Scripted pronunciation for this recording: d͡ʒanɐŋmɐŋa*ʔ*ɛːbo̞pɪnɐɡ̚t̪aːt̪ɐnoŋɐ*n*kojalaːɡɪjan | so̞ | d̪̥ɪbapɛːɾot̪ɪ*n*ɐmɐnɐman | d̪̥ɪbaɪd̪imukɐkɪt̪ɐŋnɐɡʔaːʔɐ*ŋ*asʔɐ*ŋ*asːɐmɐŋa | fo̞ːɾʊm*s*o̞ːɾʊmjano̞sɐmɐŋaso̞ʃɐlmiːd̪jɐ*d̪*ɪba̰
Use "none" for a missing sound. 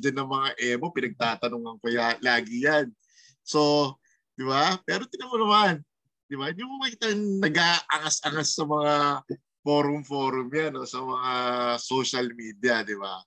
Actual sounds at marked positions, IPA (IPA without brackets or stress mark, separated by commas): ʔ, ŋ, n, ŋ, ŋ, f, d̪